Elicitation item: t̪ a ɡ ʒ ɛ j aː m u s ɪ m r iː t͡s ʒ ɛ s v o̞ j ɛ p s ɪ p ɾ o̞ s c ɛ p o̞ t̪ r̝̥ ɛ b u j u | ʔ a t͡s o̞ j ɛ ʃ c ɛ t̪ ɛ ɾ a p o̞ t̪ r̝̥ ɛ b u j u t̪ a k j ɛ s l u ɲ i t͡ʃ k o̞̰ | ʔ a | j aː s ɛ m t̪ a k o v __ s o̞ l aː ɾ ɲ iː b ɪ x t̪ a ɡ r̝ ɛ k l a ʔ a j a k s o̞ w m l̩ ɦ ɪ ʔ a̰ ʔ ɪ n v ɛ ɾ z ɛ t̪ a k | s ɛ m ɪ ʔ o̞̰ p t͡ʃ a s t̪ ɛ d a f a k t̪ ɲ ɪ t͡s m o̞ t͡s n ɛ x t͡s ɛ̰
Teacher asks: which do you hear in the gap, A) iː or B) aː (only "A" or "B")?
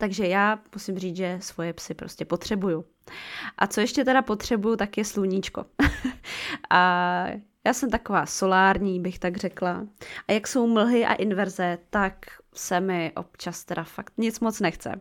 B